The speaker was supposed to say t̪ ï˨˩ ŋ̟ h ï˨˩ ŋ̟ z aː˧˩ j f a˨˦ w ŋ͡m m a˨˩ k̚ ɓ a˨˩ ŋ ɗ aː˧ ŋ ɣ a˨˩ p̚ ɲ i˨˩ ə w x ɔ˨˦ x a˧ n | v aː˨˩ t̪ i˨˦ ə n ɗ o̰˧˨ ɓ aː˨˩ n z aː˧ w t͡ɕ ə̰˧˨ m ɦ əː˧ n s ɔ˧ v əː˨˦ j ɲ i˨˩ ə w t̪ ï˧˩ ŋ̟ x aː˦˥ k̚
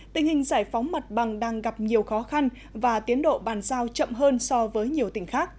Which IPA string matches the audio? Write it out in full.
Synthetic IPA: t̪ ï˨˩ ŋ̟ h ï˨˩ ŋ̟ z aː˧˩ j f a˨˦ w ŋ͡m m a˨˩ t̚ ɓ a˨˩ ŋ ɗ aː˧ ŋ ɣ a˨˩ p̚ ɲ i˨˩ ə w x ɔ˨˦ x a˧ n | v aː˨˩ t̪ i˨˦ ə n ɗ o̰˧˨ ɓ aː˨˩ n z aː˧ w t͡ɕ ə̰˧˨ m ɦ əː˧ n s ɔ˧ v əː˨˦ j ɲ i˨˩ ə w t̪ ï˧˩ ŋ̟ x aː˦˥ k̚